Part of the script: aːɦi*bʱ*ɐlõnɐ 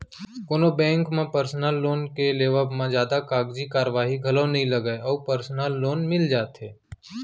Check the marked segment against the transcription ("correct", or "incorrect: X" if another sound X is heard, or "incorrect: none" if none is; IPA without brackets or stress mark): incorrect: ɡʱ